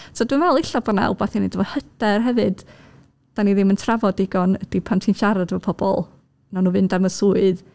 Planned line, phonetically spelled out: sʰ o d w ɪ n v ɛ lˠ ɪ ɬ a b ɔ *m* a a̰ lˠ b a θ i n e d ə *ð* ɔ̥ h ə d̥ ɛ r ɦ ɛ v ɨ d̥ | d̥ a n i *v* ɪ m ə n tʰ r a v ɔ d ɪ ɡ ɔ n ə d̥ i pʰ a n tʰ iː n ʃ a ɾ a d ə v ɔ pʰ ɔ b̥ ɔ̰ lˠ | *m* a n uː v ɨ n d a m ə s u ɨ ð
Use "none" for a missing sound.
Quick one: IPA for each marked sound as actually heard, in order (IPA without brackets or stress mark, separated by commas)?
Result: n, v, ð, n